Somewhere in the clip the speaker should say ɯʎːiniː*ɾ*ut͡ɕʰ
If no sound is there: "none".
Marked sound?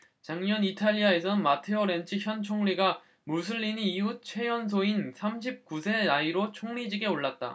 none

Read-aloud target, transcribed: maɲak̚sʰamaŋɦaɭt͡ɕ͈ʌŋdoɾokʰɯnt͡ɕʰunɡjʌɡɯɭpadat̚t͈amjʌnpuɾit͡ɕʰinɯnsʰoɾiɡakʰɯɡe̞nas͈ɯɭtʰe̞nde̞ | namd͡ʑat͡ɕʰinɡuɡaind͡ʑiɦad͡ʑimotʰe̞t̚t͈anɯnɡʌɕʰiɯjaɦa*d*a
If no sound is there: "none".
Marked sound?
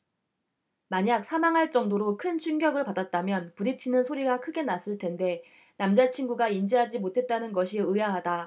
d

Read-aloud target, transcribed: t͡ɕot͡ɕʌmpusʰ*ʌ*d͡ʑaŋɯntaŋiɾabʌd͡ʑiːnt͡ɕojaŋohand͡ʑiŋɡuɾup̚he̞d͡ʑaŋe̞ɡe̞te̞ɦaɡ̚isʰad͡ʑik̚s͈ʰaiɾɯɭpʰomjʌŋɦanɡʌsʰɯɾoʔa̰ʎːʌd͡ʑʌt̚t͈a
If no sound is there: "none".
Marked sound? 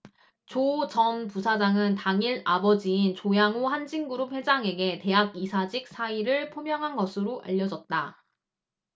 a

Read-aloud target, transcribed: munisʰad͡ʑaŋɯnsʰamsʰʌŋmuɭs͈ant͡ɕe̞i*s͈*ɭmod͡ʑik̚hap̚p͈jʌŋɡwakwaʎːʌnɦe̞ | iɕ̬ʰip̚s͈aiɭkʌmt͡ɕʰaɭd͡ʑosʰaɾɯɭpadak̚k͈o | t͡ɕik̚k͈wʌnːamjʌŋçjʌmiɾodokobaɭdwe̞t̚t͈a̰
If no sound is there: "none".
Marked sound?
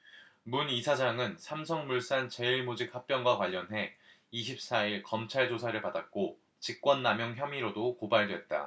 none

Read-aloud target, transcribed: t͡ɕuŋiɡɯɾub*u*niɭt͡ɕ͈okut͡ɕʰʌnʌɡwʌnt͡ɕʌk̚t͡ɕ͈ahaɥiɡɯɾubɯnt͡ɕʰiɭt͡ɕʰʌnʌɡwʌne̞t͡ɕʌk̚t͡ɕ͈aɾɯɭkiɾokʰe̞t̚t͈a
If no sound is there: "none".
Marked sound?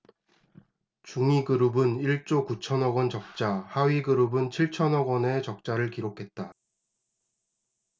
ɯ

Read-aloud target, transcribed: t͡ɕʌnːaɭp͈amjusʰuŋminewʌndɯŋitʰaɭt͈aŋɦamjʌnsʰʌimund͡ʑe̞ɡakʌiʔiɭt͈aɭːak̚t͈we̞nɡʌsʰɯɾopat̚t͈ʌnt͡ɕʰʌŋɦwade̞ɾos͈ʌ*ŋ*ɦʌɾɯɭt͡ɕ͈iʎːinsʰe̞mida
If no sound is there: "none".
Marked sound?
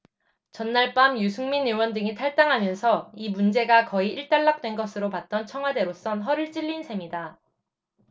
n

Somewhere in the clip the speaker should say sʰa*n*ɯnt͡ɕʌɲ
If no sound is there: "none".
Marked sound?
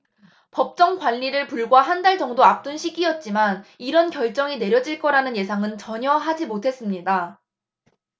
ŋ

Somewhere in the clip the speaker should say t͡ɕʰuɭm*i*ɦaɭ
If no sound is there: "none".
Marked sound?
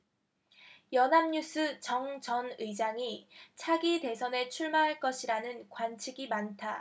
a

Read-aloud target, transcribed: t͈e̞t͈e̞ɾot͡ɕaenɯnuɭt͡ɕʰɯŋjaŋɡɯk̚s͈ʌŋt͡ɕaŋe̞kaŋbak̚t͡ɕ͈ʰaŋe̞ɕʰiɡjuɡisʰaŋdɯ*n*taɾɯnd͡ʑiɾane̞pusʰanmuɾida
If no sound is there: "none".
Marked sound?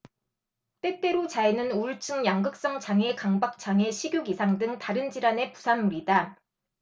ŋ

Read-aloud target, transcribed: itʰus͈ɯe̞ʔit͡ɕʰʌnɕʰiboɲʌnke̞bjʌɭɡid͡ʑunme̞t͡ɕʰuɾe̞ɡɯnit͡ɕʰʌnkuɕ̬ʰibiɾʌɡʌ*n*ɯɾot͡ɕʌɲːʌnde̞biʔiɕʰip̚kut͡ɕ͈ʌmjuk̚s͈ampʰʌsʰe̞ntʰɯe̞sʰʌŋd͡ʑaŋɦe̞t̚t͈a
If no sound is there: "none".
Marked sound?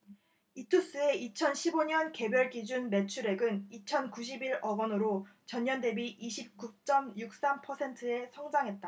n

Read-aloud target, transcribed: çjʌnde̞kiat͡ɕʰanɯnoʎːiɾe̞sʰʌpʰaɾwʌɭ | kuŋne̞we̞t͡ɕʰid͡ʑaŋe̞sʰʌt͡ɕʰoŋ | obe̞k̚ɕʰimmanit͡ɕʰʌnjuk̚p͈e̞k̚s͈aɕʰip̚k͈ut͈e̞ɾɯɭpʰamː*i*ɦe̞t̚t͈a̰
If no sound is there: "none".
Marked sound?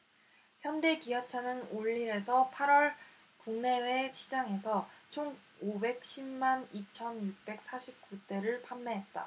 e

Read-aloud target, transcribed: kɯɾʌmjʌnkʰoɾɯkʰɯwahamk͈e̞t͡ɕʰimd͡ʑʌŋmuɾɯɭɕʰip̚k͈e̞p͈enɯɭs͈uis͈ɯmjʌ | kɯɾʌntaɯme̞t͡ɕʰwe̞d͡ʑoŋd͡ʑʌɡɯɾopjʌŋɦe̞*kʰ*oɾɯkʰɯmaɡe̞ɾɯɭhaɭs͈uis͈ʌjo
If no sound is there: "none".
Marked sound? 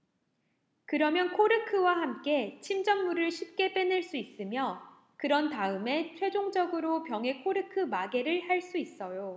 kʰ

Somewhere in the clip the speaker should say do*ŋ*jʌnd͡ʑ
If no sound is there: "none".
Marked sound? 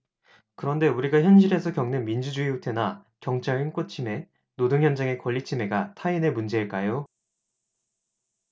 ŋ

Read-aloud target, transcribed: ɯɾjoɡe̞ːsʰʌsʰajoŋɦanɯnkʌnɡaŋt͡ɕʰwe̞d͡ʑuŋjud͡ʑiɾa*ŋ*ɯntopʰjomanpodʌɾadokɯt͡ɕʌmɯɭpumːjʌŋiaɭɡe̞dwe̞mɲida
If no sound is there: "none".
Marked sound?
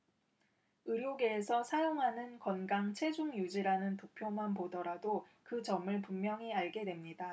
n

